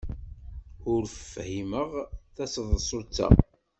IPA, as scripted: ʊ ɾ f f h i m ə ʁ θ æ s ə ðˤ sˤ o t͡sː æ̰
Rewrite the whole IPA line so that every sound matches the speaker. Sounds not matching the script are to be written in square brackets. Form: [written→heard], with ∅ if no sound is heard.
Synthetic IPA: ʊ ɾ f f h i m ə ʁ θ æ s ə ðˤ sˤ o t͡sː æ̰